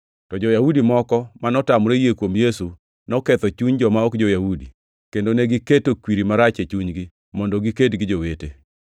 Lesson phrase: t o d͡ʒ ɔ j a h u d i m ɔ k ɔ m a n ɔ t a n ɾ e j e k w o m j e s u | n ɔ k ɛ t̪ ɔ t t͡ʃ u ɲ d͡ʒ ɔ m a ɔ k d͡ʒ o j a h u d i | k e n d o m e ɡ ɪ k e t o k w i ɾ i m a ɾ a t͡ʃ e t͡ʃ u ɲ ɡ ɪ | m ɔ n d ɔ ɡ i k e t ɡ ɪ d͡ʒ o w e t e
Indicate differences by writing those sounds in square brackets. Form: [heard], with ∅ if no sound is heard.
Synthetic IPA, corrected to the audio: t [ɔ] d͡ʒ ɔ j a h u d i m ɔ k ɔ m a n ɔ t a [m] ɾ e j e k w o m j e s u | n ɔ k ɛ t̪ ɔ [∅] t͡ʃ u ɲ d͡ʒ ɔ m a ɔ k d͡ʒ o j a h u d i | k e n d o [n] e ɡ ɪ k e t o k w i ɾ i m a ɾ a t͡ʃ e t͡ʃ u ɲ ɡ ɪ | m ɔ n d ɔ ɡ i k e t ɡ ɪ d͡ʒ o w e t e

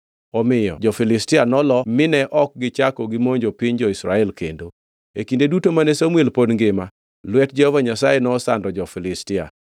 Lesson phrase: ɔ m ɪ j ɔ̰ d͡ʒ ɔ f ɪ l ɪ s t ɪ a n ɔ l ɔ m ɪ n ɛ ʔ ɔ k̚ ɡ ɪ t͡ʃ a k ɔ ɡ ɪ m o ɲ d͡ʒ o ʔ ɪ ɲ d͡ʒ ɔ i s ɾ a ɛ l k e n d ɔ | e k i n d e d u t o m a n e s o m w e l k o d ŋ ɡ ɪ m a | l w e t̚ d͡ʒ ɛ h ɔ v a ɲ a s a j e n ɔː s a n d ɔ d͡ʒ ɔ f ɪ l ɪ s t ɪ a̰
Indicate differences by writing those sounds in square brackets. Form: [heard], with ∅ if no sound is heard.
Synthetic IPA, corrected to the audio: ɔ m ɪ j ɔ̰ d͡ʒ ɔ f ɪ l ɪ s t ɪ a n ɔ l ɔ m ɪ n ɛ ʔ ɔ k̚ ɡ ɪ t͡ʃ a k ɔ ɡ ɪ m o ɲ d͡ʒ o [p] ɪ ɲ d͡ʒ ɔ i s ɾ a ɛ l k e n d [o] | e k i n d e d u t o m a n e s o m w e l [p] o d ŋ ɡ ɪ m a | l w [ɛ] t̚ d͡ʒ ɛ h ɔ v a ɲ a s a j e n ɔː s a n d ɔ d͡ʒ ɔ f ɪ l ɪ s t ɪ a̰

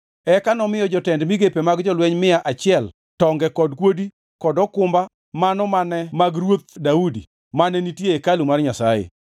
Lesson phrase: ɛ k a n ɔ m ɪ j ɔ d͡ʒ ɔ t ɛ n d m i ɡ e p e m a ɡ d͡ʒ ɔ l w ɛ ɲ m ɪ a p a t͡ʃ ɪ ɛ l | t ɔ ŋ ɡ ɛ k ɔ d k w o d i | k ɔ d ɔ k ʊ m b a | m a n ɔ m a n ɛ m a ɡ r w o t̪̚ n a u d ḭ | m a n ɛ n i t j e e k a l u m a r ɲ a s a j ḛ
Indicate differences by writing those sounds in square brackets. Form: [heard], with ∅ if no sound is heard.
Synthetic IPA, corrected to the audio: ɛ k a n ɔ m ɪ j ɔ d͡ʒ ɔ t ɛ n d m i ɡ e p e m a ɡ d͡ʒ ɔ l w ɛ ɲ m ɪ a [ʔ] a t͡ʃ ɪ ɛ l | t ɔ ŋ ɡ ɛ k ɔ d k w o d i | k ɔ d ɔ k ʊ m b a | m a n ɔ m a n ɛ m a ɡ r w o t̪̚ [d] a u d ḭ | m a n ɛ n i t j e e k a l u m a r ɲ a s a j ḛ

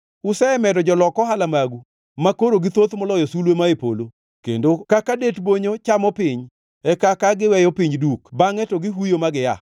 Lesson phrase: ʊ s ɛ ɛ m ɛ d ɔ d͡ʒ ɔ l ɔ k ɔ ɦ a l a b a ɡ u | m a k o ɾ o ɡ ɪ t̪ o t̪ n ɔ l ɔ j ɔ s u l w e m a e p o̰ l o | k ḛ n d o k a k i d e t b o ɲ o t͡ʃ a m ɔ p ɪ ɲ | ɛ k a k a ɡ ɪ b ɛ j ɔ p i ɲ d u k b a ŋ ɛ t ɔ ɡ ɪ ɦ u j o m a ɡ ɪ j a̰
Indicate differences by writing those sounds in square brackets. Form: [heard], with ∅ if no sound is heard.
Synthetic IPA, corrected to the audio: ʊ s ɛ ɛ m ɛ d ɔ d͡ʒ ɔ l ɔ k ɔ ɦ a l a [m] a ɡ u | m a k o ɾ o ɡ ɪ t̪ o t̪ [m] ɔ l ɔ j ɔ s u l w e m a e p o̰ l o | k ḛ n d o k a k [a] d e t b o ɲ o t͡ʃ a m ɔ p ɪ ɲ | ɛ k a k a ɡ ɪ [w] ɛ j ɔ p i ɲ d u k b a ŋ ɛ t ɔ ɡ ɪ ɦ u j o m a ɡ ɪ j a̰

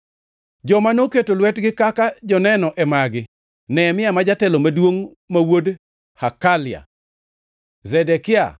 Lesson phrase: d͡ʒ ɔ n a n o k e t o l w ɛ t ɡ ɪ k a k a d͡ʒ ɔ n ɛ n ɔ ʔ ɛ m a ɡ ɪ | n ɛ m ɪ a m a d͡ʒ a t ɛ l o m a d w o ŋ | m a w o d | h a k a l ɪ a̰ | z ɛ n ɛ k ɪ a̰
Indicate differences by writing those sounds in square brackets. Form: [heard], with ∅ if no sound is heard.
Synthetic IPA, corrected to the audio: d͡ʒ ɔ [m] a n o k e t o l w ɛ t ɡ ɪ k a k a d͡ʒ ɔ n ɛ n ɔ ʔ ɛ m a ɡ ɪ | n ɛ m ɪ a m a d͡ʒ a t ɛ l o m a d w o ŋ | m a w o d | h a k a l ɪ a̰ | z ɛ [d] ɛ k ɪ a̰

